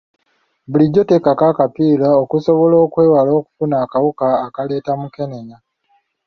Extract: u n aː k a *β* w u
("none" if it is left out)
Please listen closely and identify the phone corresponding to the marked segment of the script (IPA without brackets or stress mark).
none